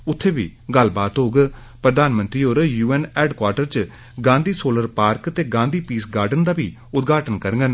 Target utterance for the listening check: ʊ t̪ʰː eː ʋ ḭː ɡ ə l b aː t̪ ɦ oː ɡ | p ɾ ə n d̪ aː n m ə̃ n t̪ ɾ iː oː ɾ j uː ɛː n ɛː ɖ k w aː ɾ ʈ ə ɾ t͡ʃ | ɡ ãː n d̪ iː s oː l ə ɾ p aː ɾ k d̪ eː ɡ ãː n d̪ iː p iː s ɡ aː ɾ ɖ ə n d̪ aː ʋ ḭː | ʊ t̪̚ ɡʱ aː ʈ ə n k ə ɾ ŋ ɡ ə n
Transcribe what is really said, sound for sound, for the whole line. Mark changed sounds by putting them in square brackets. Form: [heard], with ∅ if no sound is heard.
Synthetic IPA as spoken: ʊ t̪ʰː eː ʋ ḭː ɡ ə l b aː t̪ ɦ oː ɡ | p ɾ ə [∅] d̪ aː n m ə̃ n t̪ ɾ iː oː ɾ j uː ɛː n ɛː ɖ k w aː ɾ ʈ ə ɾ t͡ʃ | ɡ ãː n d̪ iː s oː l ə ɾ p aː ɾ k [t̪] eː ɡ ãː n d̪ iː p iː s ɡ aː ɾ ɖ ə n d̪ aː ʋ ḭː | ʊ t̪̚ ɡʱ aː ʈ ə n k ə ɾ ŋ ɡ ə n

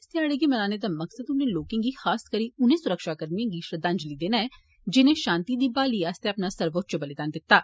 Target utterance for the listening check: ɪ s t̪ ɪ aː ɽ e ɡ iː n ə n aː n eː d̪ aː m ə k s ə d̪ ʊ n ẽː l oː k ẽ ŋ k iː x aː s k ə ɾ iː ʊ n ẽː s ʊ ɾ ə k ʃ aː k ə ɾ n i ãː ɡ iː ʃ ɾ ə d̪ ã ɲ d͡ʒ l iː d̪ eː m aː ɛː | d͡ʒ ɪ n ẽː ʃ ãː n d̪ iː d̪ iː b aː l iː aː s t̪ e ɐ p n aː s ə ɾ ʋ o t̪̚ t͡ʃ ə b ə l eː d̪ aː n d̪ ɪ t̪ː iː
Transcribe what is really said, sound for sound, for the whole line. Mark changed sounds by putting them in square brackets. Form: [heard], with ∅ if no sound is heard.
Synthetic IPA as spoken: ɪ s t̪ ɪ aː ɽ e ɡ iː [m] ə n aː n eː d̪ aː m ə k s ə d̪ ʊ n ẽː l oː k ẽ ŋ [ɡ] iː x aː s k ə ɾ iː ʊ n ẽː s ʊ ɾ ə k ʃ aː k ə ɾ n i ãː ɡ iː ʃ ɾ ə d̪ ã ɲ d͡ʒ l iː d̪ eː [n] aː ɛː | d͡ʒ ɪ n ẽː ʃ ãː n [t̪] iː d̪ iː b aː l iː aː s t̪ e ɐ p n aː s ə ɾ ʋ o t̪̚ t͡ʃ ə b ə l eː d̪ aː n d̪ ɪ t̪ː [aː]

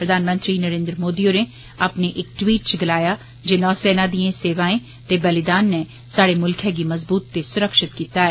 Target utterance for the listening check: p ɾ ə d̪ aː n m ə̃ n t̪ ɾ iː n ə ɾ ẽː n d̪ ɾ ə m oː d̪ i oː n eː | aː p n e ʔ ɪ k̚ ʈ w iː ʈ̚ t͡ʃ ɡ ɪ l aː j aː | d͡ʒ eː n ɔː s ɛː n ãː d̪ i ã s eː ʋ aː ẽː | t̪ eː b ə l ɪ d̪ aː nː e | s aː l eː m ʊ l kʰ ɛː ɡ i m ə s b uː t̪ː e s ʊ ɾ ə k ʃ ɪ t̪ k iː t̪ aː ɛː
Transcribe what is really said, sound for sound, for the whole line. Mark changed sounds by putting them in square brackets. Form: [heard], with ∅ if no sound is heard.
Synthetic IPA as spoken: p ɾ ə d̪ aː n m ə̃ n t̪ ɾ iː n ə ɾ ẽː n d̪ ɾ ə m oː d̪ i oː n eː | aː p n e ʔ ɪ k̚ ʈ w iː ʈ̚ t͡ʃ ɡ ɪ l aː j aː | d͡ʒ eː n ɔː s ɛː n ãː d̪ i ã s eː ʋ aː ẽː | t̪ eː b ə l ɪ d̪ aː nː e | s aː [ɽ] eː m ʊ l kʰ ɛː ɡ i m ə [z] b uː t̪ː e s ʊ ɾ ə k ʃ ɪ t̪ k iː t̪ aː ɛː

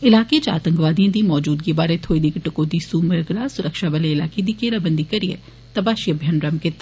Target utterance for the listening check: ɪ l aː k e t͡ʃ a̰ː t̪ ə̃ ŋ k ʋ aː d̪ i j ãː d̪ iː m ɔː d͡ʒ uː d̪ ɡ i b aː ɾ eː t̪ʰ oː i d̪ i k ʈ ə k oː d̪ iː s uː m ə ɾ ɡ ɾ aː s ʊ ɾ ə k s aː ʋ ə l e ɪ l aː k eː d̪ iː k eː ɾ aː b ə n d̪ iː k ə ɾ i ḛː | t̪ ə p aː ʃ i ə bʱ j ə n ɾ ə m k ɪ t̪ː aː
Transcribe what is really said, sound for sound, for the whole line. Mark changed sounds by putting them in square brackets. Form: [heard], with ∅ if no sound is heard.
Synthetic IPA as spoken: ɪ l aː k e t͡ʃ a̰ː t̪ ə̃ ŋ k ʋ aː d̪ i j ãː d̪ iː m ɔː d͡ʒ uː d̪ ɡ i b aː ɾ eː t̪ʰ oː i d̪ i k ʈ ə k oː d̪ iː s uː m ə ɾ ɡ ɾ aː s ʊ ɾ ə k [ʃ] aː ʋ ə l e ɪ l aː k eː d̪ iː k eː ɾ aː b ə n d̪ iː k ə ɾ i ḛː | t̪ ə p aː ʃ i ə bʱ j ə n ɾ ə m k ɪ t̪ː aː

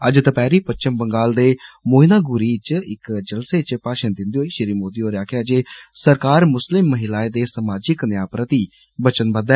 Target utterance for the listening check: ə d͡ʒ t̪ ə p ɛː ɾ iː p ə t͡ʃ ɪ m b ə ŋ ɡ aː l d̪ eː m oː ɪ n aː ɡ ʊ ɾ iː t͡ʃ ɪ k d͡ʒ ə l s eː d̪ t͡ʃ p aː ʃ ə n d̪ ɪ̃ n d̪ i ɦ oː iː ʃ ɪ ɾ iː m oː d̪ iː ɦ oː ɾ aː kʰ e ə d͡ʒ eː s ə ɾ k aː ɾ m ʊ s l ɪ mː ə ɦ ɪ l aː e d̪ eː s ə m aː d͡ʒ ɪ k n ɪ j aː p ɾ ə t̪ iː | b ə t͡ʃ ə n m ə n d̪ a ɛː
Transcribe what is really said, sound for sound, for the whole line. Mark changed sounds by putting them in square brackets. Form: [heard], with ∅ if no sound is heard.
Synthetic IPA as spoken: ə d͡ʒ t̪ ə p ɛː ɾ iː p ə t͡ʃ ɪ m b ə ŋ ɡ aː l d̪ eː m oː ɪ n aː ɡ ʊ ɾ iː t͡ʃ ɪ k d͡ʒ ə l s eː [∅] t͡ʃ p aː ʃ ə n d̪ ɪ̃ n d̪ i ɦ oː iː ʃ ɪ ɾ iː m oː d̪ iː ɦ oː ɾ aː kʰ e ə d͡ʒ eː s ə ɾ k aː ɾ m ʊ s l ɪ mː ə ɦ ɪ l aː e d̪ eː s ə m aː d͡ʒ ɪ k n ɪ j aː p ɾ ə t̪ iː | b ə t͡ʃ ə n [b] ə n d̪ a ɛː

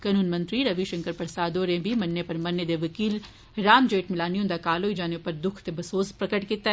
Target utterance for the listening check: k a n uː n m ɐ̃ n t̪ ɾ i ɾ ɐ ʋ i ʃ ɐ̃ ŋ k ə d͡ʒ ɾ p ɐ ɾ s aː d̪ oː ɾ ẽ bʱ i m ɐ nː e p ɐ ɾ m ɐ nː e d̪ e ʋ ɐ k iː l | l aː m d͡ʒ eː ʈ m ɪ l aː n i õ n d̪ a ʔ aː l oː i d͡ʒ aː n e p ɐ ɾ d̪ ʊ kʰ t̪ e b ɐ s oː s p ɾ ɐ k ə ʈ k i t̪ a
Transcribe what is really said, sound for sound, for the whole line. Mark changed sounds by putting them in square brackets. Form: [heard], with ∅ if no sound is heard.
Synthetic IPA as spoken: k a n uː n m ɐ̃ n t̪ ɾ i ɾ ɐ ʋ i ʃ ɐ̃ ŋ k ə [∅] ɾ p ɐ ɾ s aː d̪ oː ɾ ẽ bʱ i m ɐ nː e p ɐ ɾ m ɐ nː e d̪ e ʋ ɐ k iː l | [ɾ] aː m d͡ʒ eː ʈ m ɪ l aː n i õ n d̪ a [k] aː l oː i d͡ʒ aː n e p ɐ ɾ d̪ ʊ kʰ t̪ e b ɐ s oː s p ɾ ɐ k ə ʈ k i t̪ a

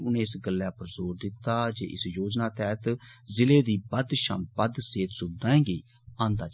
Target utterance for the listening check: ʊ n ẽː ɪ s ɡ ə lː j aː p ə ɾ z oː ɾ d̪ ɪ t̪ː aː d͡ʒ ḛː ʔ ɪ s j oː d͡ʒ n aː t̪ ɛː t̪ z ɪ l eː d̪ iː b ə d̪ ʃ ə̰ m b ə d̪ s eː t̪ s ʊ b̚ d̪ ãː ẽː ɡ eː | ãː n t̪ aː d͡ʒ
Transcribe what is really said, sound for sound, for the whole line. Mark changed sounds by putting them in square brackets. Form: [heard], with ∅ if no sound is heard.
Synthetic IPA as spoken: ʊ n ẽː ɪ s ɡ ə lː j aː p ə ɾ z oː ɾ d̪ ɪ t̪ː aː d͡ʒ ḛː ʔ ɪ s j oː d͡ʒ n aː t̪ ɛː t̪ z ɪ l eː d̪ iː b ə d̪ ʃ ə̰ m b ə d̪ s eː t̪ s ʊ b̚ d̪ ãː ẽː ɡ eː | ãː n [d̪] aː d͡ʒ

